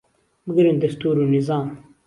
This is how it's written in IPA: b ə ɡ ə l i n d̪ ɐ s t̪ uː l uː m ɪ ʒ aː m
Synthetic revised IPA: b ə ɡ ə ɾ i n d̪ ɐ s t̪ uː ɾ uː n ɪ z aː m

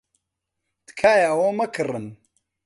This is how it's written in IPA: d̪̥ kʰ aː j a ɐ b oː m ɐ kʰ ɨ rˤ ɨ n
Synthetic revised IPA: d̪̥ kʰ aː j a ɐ w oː m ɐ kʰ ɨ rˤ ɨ n

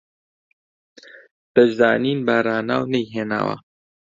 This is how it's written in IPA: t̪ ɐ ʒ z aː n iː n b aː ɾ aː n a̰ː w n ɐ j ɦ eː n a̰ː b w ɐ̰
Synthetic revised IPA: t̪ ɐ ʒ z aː n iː n b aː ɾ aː n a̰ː w n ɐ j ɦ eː n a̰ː w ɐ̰

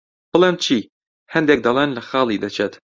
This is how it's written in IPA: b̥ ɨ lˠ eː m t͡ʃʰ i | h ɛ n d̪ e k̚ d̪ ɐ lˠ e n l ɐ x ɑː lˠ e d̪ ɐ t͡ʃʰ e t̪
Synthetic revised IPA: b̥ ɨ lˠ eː m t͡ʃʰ i | h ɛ n d̪ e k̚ d̪ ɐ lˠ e n l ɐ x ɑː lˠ i d̪ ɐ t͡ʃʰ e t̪

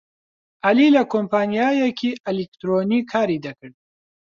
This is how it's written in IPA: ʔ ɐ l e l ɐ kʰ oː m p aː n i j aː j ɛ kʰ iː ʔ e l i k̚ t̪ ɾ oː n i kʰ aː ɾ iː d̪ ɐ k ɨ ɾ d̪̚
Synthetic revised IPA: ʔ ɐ l i l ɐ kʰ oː m p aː n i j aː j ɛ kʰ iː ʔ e l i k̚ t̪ ɾ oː n i kʰ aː ɾ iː d̪ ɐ k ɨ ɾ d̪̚

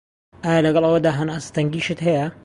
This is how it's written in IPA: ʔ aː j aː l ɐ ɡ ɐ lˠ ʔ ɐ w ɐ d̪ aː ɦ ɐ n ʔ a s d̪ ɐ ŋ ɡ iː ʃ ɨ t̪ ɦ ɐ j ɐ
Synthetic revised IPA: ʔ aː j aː l ɐ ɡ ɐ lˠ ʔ ɐ w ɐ d̪ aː ɦ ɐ n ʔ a s t̪ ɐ ŋ ɡ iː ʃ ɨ t̪ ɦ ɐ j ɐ

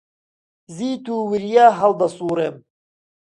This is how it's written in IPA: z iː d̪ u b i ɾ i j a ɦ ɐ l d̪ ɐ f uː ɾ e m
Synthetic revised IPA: z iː t̪ u w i ɾ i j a ɦ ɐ l d̪ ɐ s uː ɾ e m

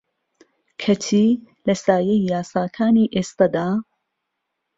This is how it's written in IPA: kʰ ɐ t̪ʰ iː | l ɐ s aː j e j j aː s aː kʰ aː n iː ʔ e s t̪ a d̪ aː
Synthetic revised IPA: kʰ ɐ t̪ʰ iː | l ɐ s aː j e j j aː s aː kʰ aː n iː ʔ e s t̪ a d̪ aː

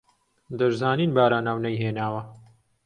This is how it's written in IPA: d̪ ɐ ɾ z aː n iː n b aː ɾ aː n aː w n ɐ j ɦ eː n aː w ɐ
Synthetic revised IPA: d̪ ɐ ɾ z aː n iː n b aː ɾ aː n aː w n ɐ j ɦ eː n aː w ɐ

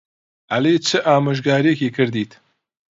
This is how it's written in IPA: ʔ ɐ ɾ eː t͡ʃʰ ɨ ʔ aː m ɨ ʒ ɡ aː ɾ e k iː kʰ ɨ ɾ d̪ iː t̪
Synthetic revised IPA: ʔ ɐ l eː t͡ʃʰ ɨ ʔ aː m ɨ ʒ ɡ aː ɾ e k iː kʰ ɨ ɾ d̪ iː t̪

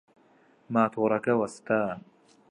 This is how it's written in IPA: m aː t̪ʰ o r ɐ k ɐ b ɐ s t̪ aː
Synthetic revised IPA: m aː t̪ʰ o ɾ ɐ k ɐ w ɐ s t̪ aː

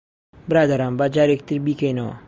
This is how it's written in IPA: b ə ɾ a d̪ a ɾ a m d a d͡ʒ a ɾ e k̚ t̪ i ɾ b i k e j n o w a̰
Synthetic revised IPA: b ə ɾ a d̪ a ɾ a m b a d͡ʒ a ɾ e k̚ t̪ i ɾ b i k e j n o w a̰

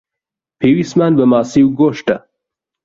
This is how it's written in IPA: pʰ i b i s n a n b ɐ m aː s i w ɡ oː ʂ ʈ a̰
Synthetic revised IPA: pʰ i w i s m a n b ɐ m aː s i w ɡ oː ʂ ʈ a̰

